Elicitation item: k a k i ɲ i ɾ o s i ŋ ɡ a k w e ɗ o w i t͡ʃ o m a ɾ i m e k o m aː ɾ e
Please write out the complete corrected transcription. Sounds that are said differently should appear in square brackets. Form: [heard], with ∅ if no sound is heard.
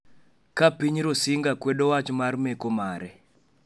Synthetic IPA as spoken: k a [p] i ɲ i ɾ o s i ŋ ɡ a k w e ɗ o w [a] t͡ʃ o m a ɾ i m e k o m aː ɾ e